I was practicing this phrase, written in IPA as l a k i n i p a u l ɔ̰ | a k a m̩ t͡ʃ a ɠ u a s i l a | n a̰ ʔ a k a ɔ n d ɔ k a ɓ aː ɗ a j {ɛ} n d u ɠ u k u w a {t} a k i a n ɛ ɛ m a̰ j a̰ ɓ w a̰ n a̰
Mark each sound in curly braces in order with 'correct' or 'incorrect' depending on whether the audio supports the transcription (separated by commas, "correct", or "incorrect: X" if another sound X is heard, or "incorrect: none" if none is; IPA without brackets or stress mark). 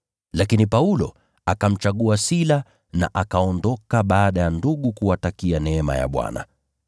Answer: incorrect: a, correct